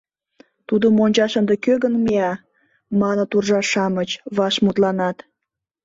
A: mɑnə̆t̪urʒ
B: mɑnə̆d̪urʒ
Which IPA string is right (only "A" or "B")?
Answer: A